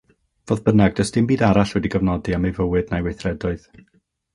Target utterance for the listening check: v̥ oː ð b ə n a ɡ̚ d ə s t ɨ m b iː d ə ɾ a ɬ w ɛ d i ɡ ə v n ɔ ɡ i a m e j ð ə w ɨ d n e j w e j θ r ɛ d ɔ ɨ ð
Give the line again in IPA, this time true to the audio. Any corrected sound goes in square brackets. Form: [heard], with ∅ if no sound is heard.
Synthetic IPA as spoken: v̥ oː ð b ə n a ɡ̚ d ə s t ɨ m b iː d [a] ɾ a ɬ w ɛ d i ɡ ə v n ɔ [d] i a m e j [v] ə w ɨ d n [a] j w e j θ r ɛ d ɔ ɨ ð